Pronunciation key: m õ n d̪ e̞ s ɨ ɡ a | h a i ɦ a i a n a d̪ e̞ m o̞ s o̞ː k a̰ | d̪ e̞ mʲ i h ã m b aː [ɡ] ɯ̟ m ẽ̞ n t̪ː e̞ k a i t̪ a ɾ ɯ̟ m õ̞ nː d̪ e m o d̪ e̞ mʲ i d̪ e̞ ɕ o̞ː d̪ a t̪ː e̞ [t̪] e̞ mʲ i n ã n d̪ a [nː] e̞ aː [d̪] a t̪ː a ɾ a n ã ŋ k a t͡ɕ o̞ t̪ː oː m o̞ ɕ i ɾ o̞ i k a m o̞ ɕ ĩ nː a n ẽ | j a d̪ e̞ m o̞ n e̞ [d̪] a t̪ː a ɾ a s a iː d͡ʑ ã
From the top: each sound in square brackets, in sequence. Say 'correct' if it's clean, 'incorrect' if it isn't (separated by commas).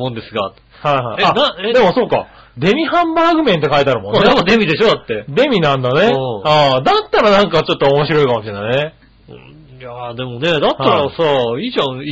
correct, incorrect, incorrect, correct, correct